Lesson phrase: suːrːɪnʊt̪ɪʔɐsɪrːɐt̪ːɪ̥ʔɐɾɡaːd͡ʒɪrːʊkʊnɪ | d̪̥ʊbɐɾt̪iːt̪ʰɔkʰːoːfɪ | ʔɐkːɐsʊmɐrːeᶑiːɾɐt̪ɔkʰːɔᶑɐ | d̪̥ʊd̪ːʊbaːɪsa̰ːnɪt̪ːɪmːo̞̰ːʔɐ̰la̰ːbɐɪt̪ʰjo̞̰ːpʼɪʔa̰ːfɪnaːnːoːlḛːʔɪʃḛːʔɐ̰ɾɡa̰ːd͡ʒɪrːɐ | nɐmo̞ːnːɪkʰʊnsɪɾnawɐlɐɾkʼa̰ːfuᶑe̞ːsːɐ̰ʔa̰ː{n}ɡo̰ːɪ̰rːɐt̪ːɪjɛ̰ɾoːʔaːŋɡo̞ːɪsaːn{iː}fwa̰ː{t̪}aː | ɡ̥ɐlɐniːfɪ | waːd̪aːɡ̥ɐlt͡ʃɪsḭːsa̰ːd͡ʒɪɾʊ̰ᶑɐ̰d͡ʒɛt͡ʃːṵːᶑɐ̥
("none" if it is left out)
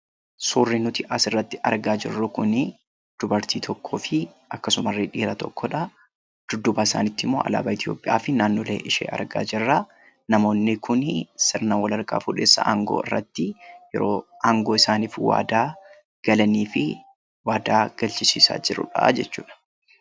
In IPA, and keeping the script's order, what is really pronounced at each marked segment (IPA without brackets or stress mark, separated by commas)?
ŋ, iː, d̪